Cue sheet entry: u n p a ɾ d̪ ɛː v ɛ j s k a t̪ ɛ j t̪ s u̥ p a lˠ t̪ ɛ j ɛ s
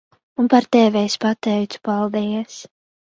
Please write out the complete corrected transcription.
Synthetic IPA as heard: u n p a ɾ t̪ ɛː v ɛ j s p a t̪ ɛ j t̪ s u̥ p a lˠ d̪ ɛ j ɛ s